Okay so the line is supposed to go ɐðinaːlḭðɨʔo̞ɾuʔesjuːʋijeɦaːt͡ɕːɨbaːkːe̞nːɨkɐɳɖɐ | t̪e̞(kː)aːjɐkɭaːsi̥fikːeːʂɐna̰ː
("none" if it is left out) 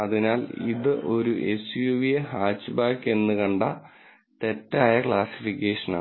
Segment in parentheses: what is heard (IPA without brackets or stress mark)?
tː